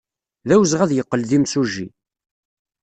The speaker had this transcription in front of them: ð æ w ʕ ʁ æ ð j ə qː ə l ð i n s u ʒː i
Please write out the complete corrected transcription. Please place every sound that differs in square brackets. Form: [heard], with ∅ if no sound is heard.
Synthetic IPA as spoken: ð æ w [z] ʁ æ ð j ə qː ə l ð i [m] s u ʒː i